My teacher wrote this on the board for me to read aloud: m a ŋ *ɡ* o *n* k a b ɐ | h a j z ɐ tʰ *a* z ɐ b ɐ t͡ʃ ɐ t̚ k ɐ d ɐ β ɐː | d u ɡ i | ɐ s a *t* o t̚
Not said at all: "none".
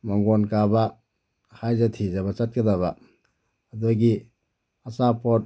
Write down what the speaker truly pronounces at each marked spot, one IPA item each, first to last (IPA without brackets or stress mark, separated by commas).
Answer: ɡ, n, i, p